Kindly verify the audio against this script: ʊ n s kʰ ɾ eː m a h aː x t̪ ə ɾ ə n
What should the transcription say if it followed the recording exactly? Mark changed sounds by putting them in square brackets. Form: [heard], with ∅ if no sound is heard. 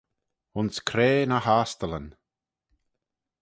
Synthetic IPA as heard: ʊ n s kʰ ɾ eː [n] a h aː [s] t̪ ə [l] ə n